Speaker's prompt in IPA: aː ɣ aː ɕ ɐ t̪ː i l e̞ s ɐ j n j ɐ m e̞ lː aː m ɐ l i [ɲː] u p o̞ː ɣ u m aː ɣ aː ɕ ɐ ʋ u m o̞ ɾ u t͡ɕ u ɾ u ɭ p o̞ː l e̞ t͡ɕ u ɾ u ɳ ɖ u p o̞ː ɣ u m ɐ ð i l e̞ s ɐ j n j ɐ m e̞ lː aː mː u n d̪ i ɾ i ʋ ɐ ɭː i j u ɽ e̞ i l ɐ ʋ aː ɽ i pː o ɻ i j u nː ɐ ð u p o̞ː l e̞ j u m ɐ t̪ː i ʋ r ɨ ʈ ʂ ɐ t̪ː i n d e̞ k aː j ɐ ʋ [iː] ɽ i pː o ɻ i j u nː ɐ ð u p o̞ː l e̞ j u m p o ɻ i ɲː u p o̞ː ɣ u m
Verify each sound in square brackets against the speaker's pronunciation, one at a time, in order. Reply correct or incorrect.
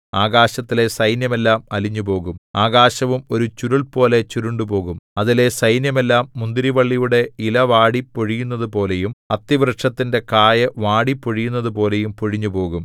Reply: correct, incorrect

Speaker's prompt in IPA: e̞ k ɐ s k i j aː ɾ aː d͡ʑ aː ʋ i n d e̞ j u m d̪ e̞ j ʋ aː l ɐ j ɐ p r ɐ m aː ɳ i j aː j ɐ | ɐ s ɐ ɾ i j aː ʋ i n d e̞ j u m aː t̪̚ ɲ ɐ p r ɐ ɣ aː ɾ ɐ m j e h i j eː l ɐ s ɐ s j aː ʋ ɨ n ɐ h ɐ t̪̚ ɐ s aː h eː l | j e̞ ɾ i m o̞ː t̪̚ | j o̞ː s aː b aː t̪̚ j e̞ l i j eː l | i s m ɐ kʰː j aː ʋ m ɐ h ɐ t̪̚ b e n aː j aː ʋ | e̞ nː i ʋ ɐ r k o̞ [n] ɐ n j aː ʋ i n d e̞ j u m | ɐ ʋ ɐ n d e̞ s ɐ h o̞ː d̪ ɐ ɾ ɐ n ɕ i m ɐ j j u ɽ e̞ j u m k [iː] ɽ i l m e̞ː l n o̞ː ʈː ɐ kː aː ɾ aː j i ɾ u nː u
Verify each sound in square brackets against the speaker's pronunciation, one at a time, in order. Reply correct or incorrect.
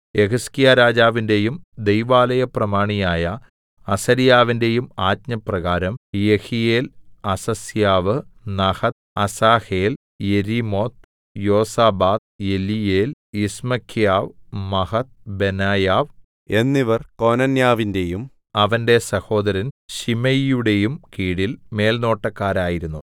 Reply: correct, correct

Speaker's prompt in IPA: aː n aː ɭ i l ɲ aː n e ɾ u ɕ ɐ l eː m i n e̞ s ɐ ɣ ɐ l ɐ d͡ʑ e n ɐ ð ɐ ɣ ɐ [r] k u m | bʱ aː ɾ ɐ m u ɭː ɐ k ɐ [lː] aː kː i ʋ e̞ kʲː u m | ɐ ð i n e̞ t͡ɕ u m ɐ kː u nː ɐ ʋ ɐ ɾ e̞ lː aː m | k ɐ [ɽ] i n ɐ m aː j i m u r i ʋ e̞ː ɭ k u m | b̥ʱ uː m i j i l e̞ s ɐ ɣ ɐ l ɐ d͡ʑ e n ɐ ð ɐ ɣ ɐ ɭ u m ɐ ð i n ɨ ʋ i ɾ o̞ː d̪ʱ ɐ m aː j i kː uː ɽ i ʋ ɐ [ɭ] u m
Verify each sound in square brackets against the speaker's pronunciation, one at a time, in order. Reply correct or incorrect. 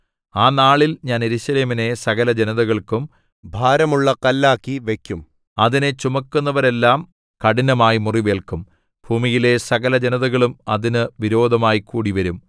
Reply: incorrect, correct, correct, incorrect

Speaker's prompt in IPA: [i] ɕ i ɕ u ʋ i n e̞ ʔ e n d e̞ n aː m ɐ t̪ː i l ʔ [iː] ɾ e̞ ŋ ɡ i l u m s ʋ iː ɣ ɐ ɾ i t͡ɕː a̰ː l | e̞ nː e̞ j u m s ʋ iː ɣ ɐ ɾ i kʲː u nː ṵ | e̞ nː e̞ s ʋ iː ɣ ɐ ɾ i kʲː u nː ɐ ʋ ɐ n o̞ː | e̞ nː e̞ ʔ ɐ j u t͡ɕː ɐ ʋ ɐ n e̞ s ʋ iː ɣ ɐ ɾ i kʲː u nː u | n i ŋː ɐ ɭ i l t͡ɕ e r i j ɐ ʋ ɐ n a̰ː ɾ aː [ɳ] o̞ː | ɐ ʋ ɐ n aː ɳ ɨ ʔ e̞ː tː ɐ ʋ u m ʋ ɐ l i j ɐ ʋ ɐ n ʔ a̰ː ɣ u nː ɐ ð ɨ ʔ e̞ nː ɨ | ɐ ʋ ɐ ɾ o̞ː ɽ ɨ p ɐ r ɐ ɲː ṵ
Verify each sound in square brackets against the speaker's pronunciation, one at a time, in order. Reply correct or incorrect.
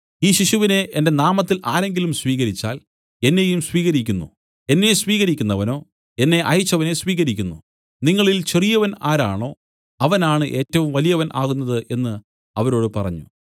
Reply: incorrect, incorrect, correct

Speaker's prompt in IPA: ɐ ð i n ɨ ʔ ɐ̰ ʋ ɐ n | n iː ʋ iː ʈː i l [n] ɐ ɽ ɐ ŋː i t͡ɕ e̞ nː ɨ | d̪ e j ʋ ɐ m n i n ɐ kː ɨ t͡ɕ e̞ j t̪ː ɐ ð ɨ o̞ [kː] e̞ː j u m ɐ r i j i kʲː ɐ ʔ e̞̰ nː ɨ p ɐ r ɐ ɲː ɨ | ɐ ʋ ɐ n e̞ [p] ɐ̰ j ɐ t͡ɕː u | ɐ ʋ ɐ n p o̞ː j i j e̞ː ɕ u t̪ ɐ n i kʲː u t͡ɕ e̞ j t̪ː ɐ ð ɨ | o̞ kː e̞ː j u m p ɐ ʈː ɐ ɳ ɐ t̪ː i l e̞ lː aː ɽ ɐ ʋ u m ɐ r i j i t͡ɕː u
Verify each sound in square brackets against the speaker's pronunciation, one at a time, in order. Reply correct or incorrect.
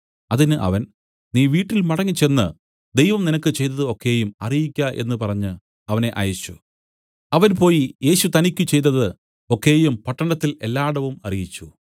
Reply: incorrect, correct, incorrect

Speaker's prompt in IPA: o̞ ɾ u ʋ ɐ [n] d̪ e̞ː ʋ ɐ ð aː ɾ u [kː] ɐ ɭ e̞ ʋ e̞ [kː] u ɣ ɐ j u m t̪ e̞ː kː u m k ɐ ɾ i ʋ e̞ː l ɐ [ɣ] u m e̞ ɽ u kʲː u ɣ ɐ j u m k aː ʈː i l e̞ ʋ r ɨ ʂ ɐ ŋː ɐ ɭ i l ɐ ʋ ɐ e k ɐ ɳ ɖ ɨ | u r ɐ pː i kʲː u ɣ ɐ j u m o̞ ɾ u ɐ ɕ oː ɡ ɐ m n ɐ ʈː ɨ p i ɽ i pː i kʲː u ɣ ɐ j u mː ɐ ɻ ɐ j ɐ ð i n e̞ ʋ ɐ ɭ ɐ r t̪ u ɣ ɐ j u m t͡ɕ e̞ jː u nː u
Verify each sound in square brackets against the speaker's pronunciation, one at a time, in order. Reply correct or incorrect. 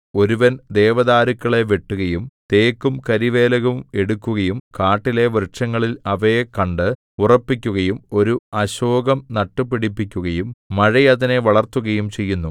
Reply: correct, correct, incorrect, correct

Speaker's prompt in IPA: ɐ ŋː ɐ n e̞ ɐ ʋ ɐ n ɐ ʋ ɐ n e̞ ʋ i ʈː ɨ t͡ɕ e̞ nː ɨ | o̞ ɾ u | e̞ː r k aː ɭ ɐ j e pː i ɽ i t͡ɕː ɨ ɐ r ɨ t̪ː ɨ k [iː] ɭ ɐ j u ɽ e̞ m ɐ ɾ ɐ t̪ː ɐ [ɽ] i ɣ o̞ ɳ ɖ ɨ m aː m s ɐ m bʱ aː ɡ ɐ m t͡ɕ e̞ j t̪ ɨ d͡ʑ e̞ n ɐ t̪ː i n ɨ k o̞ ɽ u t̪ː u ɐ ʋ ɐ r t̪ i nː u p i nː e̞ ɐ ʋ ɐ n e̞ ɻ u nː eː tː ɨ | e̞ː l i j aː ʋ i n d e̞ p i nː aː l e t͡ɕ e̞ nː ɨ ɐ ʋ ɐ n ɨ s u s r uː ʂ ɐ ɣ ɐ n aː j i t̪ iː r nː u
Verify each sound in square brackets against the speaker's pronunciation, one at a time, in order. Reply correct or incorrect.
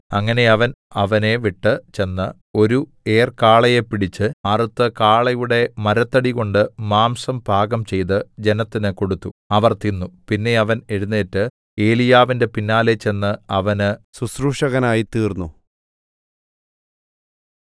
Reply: incorrect, correct

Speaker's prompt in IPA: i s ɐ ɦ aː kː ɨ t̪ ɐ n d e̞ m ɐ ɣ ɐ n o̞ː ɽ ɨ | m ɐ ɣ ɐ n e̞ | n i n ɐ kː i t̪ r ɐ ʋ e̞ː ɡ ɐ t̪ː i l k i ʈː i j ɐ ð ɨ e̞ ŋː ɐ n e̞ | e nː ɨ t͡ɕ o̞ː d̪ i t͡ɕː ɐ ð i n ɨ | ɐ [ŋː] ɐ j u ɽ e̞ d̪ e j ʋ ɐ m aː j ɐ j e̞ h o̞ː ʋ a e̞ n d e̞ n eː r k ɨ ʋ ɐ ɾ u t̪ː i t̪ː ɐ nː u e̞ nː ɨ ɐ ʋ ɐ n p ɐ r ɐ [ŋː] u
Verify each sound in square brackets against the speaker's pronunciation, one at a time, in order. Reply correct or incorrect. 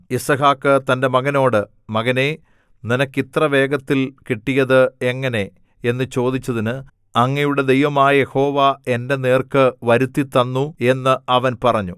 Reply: correct, incorrect

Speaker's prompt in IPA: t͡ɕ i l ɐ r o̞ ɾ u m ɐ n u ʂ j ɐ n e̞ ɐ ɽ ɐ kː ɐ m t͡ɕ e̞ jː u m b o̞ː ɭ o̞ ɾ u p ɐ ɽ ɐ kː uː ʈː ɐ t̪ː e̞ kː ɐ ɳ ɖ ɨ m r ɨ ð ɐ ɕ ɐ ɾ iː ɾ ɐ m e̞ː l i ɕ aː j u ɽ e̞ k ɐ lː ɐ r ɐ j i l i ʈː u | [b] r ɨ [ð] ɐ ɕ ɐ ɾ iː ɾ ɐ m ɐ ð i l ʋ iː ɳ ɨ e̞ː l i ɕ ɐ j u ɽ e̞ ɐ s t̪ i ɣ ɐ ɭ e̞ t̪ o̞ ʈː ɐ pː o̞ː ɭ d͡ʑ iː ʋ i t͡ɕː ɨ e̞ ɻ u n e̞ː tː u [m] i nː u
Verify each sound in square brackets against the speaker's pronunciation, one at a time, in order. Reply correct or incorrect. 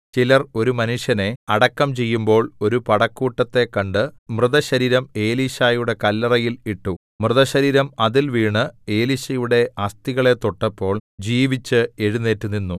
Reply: incorrect, correct, incorrect

